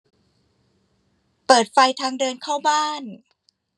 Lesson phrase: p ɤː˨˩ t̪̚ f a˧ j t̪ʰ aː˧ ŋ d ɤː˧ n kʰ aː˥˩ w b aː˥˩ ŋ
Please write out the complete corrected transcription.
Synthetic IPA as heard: p ɤː˨˩ t̪̚ f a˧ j t̪ʰ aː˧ ŋ d ɤː˧ n kʰ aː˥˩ w b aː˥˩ n